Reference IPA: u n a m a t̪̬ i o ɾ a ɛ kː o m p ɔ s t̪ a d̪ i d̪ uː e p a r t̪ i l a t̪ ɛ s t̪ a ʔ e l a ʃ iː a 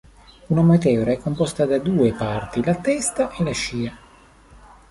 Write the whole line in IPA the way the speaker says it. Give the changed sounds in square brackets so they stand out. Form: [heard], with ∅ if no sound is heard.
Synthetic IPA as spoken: u n a m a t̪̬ [ɛ] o ɾ a ɛ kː o m p ɔ s t̪ a d̪ [a] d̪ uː e p a r t̪ i l a t̪ ɛ s t̪ a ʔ e l a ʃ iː a